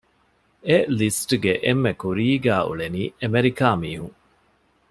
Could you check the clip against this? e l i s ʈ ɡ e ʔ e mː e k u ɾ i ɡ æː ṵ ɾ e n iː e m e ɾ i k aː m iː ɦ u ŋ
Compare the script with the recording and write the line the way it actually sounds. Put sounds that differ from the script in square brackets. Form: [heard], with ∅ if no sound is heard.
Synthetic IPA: e l i s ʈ ɡ e ʔ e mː e k u ɾ [iː] ɡ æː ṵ [ɭ] e n iː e m e ɾ i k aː m iː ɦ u ŋ